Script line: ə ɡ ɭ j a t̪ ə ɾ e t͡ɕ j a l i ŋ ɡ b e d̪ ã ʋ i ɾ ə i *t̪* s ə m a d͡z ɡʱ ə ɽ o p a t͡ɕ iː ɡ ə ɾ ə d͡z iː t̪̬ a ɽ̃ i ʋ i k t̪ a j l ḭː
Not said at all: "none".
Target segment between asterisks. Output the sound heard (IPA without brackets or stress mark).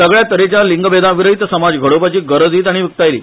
t̪